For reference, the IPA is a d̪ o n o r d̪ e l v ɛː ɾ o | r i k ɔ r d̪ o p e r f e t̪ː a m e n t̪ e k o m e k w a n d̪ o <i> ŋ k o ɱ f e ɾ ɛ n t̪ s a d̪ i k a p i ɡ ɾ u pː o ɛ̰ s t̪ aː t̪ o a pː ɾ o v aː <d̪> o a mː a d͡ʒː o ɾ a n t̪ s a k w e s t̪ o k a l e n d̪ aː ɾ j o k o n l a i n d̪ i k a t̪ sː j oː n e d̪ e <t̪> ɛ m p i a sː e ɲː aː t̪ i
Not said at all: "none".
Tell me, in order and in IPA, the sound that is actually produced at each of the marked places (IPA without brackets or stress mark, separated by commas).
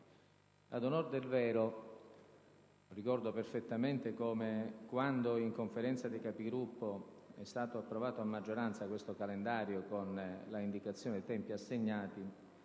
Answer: i, t̪, t̪